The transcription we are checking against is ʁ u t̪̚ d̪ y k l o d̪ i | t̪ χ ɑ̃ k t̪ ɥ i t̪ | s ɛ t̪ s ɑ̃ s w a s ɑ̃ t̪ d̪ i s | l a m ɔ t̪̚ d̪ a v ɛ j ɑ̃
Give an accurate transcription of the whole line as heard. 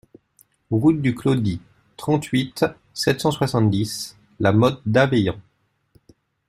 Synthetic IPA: ʁ u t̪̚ d̪ y k l o d̪ i | t̪ χ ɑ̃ t̪ ɥ i t̪ | s ɛ t̪ s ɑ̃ s w a s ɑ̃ t̪ d̪ i s | l a m ɔ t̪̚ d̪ a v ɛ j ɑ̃

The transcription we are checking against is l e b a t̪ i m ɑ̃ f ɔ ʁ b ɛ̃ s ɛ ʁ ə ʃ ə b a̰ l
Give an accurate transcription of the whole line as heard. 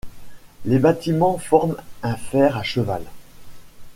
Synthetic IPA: l e b a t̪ i m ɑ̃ f ɔ ʁ m ɛ̃ f ɛ ʁ a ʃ ə v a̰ l

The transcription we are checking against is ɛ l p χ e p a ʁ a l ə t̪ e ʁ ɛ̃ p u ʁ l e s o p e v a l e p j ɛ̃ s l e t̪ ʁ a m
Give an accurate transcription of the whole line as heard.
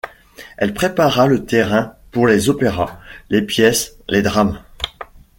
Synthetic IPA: ɛ l p χ e p a ʁ a l ə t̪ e ʁ ɛ̃ p u ʁ l e z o p e ʁ a l e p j ɛ s l e d̪ ʁ a m

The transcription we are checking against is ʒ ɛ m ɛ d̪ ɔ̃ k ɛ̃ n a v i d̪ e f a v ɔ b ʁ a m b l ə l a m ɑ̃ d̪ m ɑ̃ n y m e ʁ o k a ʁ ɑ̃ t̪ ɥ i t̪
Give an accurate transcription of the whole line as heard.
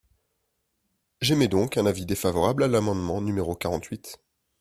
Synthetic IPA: ʒ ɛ m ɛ d̪ ɔ̃ k ɛ̃ n a v i d̪ e f a v ɔ ʁ a b l a l a m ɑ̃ d̪ m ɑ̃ n y m e ʁ o k a ʁ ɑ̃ t̪ ɥ i t̪

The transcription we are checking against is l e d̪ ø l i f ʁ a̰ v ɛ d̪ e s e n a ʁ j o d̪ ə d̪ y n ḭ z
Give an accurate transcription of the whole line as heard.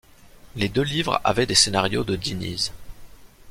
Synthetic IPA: l e d̪ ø l i v ʁ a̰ v ɛ d̪ e s e n a ʁ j o d̪ ə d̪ i n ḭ z

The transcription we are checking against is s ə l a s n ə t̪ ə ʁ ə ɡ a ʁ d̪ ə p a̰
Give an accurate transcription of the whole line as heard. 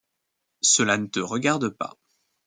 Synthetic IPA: s ə l a n ə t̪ ə ʁ ə ɡ a ʁ d̪ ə p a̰

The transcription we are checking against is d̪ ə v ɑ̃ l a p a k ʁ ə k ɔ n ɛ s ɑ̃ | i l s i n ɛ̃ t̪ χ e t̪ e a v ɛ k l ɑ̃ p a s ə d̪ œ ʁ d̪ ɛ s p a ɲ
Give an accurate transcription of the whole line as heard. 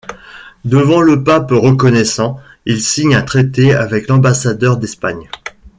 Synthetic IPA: d̪ ə v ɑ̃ l ə p a p ʁ ə k ɔ n ɛ s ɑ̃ | i l s i ɲ ɛ̃ t̪ χ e t̪ e a v ɛ k l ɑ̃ b a s a d̪ œ ʁ d̪ ɛ s p a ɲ

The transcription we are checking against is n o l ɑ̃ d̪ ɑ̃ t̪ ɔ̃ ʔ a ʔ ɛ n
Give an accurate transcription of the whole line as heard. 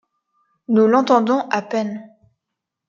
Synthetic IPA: n u l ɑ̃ t̪ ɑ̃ d̪ ɔ̃ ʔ a p ɛ n

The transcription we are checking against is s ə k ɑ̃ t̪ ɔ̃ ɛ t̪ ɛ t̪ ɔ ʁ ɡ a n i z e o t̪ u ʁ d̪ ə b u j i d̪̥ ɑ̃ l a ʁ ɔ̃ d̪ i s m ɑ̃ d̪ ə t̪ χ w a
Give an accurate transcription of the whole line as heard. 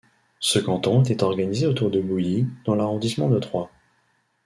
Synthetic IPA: s ə k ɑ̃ t̪ ɔ̃ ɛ t̪ ɛ t̪ ɔ ʁ ɡ a n i z e o t̪ u ʁ d̪ ə b u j i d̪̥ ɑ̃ l a ʁ ɔ̃ d̪ i s m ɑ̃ d̪ ə t̪ χ w a

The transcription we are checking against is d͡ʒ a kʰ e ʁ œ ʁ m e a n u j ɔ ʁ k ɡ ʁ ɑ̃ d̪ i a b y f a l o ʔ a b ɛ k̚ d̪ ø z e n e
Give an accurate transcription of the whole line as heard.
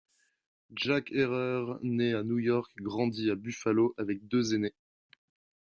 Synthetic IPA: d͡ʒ a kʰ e ʁ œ ʁ n e a n u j ɔ ʁ k ɡ ʁ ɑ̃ d̪ i a b y f a l o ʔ a v ɛ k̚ d̪ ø z e n e

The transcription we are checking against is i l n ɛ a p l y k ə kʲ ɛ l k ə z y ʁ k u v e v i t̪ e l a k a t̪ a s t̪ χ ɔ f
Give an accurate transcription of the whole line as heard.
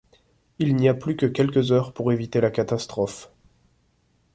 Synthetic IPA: i l n i a p l y k ə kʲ ɛ l k ə z œ ʁ p u ʁ e v i t̪ e l a k a t̪ a s t̪ χ ɔ f

